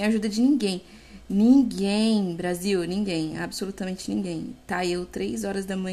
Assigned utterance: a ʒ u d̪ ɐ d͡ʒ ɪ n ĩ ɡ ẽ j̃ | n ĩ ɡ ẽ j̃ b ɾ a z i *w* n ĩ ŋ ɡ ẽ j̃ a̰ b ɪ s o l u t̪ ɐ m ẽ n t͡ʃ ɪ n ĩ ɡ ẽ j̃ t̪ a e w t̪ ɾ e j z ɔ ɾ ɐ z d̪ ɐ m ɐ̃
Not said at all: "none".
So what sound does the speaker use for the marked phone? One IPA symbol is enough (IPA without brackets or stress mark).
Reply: w